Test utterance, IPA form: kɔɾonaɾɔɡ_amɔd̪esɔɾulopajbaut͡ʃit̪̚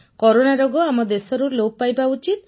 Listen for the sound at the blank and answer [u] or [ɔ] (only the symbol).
ɔ